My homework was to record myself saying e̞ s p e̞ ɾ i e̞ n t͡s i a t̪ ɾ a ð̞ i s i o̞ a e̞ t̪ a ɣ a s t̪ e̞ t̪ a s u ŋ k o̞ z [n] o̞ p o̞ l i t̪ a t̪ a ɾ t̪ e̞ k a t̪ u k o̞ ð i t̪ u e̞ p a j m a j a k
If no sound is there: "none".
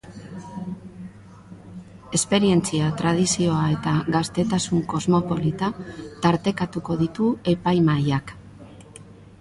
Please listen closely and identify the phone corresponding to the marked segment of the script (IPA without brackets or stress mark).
m